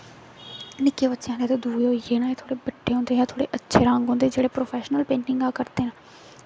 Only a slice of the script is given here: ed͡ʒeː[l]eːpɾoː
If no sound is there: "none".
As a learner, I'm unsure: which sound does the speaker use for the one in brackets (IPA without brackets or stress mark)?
ɽ